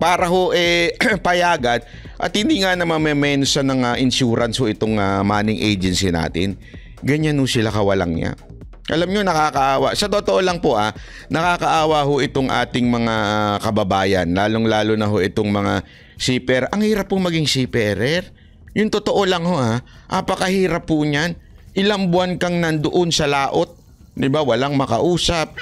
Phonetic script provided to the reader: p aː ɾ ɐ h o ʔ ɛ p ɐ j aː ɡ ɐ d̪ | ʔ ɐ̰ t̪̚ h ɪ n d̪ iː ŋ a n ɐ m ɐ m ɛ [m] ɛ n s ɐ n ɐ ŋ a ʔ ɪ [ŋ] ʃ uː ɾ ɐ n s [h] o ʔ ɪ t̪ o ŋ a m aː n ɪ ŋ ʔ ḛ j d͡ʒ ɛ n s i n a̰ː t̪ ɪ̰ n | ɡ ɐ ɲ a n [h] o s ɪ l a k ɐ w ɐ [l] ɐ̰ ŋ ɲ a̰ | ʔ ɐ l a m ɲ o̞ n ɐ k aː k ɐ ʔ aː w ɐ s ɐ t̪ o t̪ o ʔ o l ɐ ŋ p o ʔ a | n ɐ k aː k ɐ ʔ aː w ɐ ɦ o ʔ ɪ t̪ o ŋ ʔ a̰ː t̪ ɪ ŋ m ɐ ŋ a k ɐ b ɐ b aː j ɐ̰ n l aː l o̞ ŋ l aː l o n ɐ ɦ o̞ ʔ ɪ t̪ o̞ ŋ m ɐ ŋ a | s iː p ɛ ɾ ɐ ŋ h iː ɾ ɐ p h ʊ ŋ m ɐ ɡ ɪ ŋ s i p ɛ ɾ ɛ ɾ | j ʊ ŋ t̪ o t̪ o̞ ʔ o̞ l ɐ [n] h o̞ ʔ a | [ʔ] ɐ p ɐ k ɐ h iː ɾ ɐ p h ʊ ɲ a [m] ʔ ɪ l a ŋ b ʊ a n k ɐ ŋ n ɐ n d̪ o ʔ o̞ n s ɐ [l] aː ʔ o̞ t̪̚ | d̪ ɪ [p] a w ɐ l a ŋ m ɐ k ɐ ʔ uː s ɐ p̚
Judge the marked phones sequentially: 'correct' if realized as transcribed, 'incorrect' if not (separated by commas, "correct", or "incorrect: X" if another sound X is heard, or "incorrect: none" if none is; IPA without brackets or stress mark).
correct, incorrect: n, correct, correct, correct, incorrect: ŋ, correct, incorrect: n, correct, incorrect: b